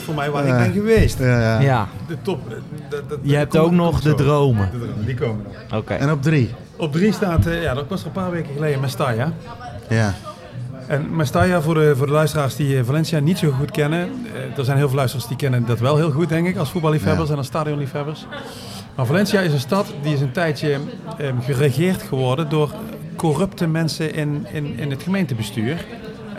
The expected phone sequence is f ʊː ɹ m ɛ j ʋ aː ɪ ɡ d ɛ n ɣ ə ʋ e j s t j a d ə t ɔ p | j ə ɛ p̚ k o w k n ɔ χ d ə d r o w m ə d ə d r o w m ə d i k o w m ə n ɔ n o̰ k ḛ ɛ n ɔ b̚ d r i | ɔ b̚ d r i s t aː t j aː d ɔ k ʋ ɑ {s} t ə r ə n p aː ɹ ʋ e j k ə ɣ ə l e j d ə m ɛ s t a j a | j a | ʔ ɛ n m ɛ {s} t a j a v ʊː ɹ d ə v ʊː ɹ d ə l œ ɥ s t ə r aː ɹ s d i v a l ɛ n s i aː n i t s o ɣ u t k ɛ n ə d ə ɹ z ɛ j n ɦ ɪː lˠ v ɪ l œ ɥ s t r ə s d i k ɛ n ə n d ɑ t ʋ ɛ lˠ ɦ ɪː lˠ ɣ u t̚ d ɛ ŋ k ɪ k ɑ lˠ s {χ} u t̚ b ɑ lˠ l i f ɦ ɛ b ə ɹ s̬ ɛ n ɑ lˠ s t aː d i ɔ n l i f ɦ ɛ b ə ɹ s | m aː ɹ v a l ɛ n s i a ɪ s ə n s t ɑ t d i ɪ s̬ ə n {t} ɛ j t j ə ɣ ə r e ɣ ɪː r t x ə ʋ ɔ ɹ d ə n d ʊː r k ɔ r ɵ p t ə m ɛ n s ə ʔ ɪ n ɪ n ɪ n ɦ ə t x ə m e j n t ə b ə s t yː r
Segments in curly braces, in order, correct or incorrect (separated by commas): correct, correct, incorrect, correct